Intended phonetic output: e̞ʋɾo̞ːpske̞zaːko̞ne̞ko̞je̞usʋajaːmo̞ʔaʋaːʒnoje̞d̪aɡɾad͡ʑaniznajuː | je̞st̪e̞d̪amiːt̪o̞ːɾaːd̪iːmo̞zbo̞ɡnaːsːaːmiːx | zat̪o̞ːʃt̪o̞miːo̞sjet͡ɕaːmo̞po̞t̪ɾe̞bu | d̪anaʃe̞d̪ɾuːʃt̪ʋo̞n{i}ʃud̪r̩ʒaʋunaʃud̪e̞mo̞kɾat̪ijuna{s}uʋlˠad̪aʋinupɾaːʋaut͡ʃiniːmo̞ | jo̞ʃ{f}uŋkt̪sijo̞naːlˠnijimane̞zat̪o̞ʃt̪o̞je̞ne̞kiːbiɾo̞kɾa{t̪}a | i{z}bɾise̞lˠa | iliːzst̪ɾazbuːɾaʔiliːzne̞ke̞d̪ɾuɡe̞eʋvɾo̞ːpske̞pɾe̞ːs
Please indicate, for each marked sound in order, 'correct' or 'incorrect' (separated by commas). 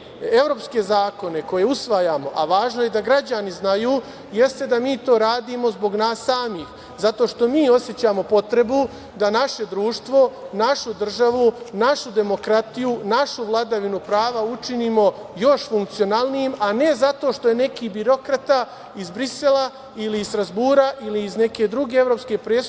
incorrect, incorrect, correct, correct, correct